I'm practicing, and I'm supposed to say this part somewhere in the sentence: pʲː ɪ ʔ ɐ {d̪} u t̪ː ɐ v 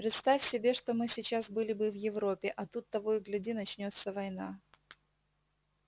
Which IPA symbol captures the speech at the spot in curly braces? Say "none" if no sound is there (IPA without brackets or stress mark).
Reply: t̪